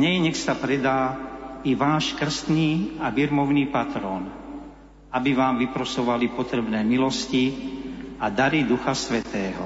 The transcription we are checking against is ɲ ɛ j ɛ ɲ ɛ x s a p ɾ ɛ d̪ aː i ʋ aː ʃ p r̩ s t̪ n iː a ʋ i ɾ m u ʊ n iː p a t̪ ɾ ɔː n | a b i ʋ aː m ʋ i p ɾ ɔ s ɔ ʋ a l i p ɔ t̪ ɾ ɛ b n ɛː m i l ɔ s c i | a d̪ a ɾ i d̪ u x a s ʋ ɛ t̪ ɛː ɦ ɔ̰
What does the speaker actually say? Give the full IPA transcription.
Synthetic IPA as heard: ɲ ɛ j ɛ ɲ ɛ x s a p ɾ ɛ d̪ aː i ʋ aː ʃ k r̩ s t̪ n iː a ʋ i ɾ m ɔ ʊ n iː p a t̪ ɾ ɔː n | a b i ʋ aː m ʋ i p ɾ ɔ s ɔ ʋ a l i p ɔ t̪ ɾ ɛ b n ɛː m i l ɔ s c i | a d̪ a ɾ i d̪ u x a s ʋ ɛ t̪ ɛː ɦ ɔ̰